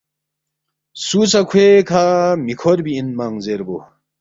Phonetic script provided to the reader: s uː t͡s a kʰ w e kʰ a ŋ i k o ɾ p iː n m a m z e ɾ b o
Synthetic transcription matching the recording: s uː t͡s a kʰ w e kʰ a m i kʰ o ɾ b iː n m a ŋ z e ɾ b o